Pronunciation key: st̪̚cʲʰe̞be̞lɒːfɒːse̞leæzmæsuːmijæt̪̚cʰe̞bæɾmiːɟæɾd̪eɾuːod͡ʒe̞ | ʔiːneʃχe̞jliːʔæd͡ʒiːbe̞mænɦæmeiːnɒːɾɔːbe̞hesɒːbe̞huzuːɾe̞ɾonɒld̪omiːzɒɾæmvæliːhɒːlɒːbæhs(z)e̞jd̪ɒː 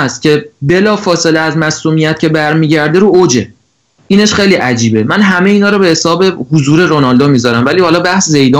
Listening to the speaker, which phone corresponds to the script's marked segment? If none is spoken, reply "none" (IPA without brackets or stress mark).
z